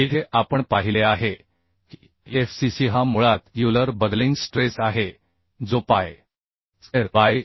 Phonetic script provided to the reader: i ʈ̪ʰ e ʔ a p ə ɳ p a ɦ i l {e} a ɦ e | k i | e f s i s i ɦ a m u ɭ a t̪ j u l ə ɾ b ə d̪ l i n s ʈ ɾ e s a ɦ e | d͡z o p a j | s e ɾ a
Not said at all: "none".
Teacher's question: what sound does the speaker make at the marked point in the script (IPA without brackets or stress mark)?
e